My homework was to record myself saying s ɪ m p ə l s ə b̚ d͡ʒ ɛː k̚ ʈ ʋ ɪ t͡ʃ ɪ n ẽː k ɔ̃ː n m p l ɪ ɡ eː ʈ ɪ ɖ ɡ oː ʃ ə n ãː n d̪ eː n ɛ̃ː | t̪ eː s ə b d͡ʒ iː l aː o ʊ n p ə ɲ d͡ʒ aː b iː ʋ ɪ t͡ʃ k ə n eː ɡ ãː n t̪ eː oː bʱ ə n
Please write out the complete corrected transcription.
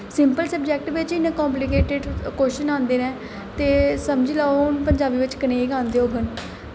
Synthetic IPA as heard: s ɪ m p ə l s ə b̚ d͡ʒ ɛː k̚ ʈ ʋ ɪ t͡ʃ ɪ n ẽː k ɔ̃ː m p l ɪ k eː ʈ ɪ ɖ k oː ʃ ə n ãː n d̪ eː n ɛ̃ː | t̪ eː s ə m d͡ʒ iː l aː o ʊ n p ə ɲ d͡ʒ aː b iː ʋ ɪ t͡ʃ k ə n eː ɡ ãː n d̪ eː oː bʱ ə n